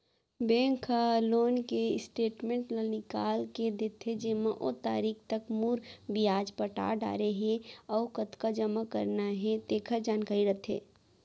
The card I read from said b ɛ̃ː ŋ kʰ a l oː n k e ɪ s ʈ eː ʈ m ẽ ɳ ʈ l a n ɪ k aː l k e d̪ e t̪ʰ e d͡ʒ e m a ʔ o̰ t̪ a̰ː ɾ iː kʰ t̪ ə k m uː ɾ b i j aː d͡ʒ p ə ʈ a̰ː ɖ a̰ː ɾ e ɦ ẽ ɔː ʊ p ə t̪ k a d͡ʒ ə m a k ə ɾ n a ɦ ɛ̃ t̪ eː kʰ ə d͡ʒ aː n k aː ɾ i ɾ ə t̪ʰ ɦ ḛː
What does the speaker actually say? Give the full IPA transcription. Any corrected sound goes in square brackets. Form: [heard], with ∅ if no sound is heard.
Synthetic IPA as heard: b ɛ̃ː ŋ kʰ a l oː n k e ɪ s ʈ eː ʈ m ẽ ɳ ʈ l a n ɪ k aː l k e d̪ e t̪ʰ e d͡ʒ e m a ʔ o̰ t̪ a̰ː ɾ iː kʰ t̪ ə k m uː ɾ b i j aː d͡ʒ p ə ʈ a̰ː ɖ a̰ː ɾ e ɦ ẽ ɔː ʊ [k] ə t̪ k a d͡ʒ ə m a k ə ɾ n a ɦ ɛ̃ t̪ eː kʰ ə d͡ʒ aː n k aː ɾ i ɾ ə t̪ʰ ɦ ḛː